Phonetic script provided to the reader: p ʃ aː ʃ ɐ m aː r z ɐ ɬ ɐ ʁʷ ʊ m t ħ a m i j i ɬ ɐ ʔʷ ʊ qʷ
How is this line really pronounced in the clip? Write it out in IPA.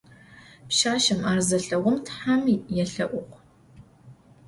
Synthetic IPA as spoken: p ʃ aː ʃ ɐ m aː r z ɐ ɬ ɐ ʁʷ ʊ m t ħ a m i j ɛ ɬ ɐ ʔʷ ʊ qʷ